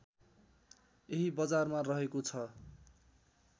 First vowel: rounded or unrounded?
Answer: unrounded